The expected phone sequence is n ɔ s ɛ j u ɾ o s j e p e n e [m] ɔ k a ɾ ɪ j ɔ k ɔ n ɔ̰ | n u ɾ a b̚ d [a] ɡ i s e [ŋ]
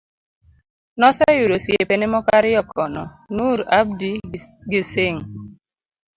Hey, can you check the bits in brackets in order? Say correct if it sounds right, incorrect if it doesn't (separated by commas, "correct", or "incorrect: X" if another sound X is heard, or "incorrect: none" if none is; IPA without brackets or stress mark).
correct, incorrect: i, correct